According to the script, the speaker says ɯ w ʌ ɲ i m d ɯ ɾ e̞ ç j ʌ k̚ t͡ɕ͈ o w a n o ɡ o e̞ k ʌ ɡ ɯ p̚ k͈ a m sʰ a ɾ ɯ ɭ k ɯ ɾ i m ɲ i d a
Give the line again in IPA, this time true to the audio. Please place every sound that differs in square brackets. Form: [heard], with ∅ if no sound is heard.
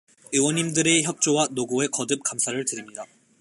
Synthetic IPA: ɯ w ʌ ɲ i m d ɯ ɾ e̞ ç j ʌ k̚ t͡ɕ͈ o w a n o ɡ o e̞ k ʌ [d] ɯ p̚ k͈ a m sʰ a ɾ ɯ ɭ [t] ɯ ɾ i m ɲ i d a